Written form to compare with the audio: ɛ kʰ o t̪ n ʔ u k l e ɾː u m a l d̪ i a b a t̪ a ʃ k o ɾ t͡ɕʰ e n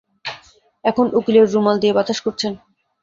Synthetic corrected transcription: ɛ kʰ o n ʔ u k l e ɾː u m a l d̪ i e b a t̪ a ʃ k o ɾ t͡ɕʰ e n